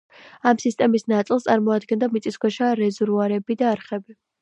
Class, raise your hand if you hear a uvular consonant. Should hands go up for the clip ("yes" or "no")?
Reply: yes